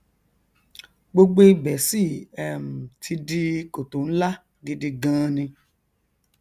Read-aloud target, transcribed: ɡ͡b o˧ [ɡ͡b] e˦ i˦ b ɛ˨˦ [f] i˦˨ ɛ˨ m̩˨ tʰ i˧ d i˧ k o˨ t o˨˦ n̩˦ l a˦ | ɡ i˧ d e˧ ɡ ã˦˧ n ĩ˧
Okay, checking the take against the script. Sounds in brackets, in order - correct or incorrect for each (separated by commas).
correct, incorrect